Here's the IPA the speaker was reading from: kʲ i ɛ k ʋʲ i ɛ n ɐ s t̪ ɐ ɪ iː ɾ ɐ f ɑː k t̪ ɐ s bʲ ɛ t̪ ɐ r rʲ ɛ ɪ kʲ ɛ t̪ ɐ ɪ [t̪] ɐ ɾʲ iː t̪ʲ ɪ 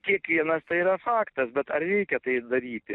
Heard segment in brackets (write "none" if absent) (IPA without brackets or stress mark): d̪